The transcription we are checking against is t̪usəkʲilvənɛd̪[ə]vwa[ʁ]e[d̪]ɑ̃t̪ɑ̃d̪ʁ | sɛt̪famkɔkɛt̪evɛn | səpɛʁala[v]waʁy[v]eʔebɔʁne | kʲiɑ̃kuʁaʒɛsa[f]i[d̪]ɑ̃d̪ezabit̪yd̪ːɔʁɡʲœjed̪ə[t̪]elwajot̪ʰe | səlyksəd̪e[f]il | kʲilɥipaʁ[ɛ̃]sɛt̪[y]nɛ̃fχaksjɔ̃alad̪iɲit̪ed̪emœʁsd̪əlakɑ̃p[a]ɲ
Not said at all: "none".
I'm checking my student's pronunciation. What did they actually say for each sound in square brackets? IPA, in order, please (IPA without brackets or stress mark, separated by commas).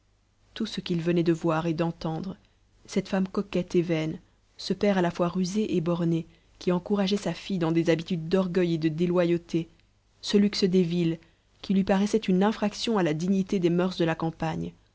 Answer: ə, ʁ, d̪, f, z, f, d̪, d̪, v, ɛ, y, a